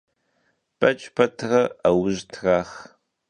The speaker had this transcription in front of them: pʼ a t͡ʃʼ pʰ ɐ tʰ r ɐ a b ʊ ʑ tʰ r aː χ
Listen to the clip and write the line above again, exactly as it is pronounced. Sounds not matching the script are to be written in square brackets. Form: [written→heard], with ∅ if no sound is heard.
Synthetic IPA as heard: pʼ [a→ɐ] t͡ʃʼ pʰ ɐ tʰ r ɐ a [b→w] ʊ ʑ tʰ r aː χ